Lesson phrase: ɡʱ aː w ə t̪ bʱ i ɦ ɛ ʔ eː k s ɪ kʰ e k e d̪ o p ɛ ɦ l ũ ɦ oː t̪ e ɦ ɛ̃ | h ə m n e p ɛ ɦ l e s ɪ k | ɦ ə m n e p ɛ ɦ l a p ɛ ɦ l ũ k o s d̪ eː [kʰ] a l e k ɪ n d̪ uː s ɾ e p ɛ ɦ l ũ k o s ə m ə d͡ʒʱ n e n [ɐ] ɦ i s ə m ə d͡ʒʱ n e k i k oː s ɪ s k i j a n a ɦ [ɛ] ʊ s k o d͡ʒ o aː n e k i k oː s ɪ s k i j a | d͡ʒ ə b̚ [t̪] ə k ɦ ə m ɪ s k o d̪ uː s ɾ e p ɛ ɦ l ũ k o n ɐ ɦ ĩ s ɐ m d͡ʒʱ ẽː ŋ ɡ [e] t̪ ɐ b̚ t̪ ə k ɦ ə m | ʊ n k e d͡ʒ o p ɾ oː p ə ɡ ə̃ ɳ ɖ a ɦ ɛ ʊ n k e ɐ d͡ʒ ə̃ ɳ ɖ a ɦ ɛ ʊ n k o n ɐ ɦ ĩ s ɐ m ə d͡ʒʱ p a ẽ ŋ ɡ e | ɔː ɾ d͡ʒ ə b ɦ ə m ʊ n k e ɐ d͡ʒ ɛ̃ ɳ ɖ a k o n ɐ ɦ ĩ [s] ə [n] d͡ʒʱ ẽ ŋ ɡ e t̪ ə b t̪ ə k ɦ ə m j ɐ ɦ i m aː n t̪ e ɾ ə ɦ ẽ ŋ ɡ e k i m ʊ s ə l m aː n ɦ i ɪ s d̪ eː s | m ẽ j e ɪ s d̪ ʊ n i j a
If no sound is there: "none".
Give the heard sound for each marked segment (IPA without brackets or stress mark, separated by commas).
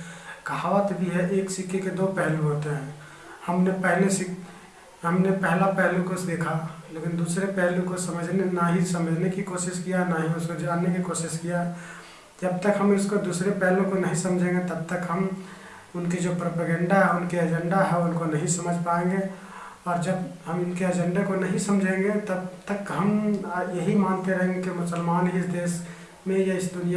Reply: kʰ, a, i, t̪, e, s, m